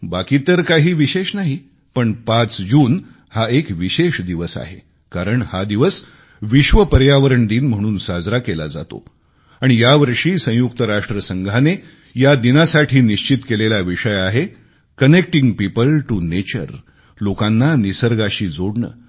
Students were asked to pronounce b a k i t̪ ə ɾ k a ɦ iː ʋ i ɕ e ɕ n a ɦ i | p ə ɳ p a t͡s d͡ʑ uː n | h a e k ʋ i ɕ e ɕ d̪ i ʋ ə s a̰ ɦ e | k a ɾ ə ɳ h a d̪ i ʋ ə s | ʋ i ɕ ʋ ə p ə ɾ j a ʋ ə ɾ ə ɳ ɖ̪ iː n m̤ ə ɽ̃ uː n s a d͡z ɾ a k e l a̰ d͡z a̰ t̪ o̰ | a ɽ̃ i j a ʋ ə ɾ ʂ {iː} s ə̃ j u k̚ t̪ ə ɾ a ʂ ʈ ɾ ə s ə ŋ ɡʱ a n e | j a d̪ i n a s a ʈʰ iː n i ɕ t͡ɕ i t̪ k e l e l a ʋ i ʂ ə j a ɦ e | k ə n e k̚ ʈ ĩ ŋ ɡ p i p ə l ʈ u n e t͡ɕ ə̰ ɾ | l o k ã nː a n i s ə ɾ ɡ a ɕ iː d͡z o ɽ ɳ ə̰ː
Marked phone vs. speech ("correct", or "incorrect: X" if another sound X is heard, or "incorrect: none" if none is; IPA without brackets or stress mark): correct